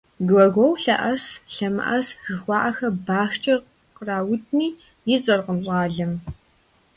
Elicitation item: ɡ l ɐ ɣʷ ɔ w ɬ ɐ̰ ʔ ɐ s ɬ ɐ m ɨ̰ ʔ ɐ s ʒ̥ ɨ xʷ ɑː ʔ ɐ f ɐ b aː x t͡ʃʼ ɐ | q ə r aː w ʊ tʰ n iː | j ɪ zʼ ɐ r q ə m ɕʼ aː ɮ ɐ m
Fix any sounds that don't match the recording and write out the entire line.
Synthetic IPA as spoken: ɡ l ɐ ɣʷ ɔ w ɬ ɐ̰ ʔ ɐ s ɬ ɐ m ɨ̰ ʔ ɐ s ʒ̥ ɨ xʷ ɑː ʔ ɐ x ɐ b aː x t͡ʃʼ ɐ | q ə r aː w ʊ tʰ n iː | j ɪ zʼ ɐ r q ə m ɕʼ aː ɮ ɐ m